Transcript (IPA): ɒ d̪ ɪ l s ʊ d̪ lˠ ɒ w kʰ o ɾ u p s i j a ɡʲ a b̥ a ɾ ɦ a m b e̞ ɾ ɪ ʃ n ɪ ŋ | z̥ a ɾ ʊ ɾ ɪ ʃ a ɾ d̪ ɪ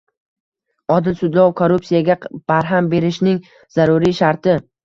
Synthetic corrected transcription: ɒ d̪ ɪ l s ʊ d̪ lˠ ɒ w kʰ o ɾ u p s i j a ɡʲ a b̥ a ɾ ɦ a m b e̞ ɾ ɪ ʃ n ɪ ŋ | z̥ a ɾ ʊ ɾ i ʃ a ɾ t̪ ɪ